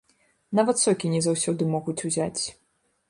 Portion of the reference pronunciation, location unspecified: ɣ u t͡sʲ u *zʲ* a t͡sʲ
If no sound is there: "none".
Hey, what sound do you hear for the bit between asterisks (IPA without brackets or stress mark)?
zʲ